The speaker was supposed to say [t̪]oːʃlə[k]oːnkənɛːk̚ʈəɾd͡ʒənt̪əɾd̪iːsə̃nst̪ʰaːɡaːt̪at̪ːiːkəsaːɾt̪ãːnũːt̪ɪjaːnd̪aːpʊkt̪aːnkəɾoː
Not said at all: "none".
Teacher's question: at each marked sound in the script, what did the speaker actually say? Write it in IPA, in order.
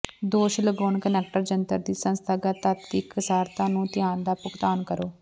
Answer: d̪, ɡ

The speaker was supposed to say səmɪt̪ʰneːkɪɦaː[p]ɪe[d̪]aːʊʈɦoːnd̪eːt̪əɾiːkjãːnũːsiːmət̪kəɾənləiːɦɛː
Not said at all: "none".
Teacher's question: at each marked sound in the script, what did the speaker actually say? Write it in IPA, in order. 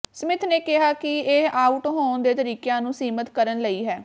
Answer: k, none

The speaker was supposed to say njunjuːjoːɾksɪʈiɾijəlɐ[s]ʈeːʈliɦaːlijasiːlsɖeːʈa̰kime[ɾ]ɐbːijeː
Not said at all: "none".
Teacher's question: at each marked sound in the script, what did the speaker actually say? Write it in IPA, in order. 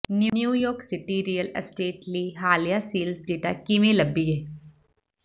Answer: s, l

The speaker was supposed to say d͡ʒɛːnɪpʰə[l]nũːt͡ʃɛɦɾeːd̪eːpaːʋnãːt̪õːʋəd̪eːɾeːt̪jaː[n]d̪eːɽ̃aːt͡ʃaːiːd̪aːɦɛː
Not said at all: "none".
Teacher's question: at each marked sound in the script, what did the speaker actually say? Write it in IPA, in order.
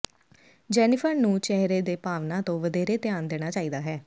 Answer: ɾ, n

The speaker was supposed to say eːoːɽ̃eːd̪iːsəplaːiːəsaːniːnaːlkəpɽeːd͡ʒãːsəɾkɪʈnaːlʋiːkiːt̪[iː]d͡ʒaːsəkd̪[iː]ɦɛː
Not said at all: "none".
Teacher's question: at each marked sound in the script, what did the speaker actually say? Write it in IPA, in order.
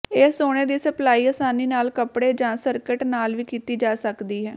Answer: iː, iː

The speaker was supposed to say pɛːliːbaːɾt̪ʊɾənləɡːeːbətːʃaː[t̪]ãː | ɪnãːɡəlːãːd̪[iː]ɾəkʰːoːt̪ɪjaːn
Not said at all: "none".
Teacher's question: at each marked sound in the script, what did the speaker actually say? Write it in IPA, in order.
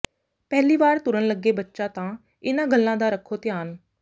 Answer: t̪, aː

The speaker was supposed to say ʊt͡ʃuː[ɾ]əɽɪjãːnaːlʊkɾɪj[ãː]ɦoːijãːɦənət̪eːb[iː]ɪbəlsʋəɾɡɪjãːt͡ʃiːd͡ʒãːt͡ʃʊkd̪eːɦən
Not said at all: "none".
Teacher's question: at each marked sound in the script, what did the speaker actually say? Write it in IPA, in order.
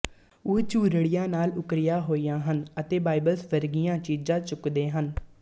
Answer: ɾ, aː, aː

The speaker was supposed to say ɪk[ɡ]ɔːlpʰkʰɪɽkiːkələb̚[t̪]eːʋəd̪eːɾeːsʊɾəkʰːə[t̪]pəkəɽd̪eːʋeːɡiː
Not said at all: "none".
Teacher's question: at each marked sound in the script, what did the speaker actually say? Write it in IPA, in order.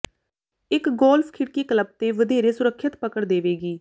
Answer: ɡ, t̪, t̪

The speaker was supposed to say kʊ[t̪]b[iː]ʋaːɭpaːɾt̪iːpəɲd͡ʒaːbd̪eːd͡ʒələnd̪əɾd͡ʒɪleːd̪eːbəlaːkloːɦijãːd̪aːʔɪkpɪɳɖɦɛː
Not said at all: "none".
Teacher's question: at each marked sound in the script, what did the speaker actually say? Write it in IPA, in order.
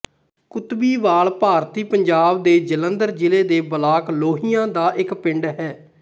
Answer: t̪, iː

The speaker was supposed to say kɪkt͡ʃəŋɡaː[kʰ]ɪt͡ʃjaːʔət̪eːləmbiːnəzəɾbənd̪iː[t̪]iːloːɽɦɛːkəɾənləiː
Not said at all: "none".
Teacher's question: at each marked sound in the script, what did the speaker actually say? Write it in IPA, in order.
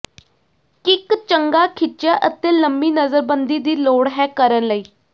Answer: kʰ, d̪

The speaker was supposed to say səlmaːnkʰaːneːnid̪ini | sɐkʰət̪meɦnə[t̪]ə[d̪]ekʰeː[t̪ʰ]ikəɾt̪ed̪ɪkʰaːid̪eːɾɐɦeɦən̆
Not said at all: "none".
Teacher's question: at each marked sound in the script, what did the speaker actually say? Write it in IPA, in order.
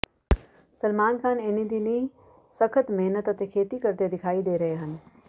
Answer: t̪, t̪, t̪

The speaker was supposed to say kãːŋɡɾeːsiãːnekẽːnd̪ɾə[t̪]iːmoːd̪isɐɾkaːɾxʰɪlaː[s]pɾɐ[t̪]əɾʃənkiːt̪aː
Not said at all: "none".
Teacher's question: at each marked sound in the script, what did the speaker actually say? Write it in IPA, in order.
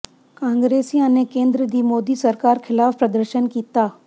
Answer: d̪, f, d̪

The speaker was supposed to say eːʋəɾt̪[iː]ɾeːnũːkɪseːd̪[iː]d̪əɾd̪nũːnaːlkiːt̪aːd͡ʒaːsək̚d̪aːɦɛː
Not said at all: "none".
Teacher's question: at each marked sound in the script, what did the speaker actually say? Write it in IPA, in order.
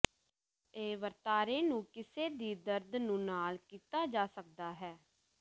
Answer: aː, iː

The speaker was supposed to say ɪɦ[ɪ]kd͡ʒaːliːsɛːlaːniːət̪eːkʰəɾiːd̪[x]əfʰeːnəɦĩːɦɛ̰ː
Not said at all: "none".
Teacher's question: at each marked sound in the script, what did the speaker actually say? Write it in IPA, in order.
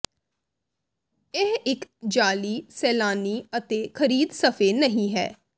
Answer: ɪ, s

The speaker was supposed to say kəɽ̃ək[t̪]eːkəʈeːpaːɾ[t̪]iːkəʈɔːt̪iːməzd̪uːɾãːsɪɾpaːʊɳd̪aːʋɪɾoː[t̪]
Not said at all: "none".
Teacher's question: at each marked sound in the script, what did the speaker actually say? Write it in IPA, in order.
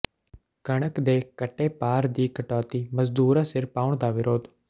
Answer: d̪, d̪, d̪

